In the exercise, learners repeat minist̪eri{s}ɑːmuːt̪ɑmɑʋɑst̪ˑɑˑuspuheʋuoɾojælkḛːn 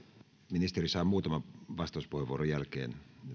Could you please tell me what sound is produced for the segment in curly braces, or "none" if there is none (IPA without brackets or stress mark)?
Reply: s